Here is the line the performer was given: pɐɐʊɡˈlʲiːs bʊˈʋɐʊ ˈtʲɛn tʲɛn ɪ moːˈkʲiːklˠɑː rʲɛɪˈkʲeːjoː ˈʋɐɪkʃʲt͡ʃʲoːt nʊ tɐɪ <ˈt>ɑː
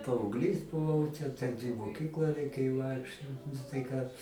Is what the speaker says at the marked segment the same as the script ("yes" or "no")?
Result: no